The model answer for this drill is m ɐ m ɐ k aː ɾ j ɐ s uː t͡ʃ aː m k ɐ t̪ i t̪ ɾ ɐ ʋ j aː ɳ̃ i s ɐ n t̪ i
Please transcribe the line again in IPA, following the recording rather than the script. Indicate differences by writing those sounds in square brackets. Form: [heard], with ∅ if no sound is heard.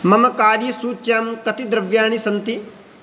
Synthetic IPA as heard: m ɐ m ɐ k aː ɾ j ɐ s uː t͡ʃ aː m k ɐ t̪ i [d̪] ɾ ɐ ʋ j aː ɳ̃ i s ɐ n t̪ i